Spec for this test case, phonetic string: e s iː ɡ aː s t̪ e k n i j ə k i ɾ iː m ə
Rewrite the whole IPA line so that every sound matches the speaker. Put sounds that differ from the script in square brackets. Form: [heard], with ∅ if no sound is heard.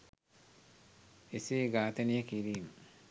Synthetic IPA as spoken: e s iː ɡ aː [∅] t̪ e [∅] n i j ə k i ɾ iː m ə